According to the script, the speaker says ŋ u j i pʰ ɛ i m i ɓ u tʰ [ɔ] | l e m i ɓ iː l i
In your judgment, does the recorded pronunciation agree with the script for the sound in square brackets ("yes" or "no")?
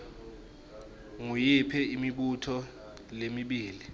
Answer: yes